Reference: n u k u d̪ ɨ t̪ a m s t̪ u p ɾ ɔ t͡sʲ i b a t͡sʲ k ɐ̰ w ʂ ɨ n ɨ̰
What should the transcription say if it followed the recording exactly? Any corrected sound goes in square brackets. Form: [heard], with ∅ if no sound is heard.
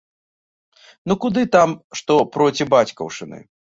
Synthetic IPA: n u k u d̪ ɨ t̪ a m [ʂ] t̪ [ɔ] p ɾ ɔ t͡sʲ i b a t͡sʲ k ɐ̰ w ʂ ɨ n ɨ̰

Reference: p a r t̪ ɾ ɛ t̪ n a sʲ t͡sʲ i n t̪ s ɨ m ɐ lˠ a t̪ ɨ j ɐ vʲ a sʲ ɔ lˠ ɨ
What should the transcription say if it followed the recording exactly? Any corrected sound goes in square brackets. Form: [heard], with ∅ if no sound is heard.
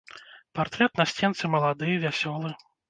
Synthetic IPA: p a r t̪ ɾ ɛ t̪ n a sʲ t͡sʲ [ɛ] n t̪ s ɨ m ɐ lˠ a [d̪] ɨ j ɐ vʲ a sʲ ɔ lˠ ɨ

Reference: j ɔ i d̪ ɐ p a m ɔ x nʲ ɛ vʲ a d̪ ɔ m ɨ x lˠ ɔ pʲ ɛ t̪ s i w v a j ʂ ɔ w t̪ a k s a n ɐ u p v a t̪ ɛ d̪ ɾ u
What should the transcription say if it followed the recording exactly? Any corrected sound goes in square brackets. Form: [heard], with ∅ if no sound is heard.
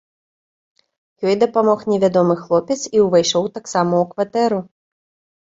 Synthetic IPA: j ɔ [j] d̪ ɐ p a m ɔ x nʲ ɛ vʲ a d̪ ɔ m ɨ x lˠ ɔ pʲ ɛ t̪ s i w v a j ʂ ɔ w t̪ a k s a [m] ɐ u [k] v a t̪ ɛ [∅] ɾ u

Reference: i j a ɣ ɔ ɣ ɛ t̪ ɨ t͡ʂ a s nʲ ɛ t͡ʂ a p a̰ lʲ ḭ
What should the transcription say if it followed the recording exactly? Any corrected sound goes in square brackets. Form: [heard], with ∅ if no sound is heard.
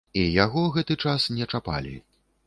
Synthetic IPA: i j a ɣ ɔ ɣ ɛ t̪ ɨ t͡ʂ a s nʲ ɛ t͡ʂ a p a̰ lʲ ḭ

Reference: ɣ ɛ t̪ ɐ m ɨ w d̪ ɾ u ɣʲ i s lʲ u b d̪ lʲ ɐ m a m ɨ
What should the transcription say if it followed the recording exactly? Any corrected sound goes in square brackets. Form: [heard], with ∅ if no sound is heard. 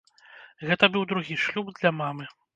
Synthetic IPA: ɣ ɛ t̪ ɐ [b] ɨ w d̪ ɾ u ɣʲ i [ʂ] lʲ u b d̪ lʲ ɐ m a m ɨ

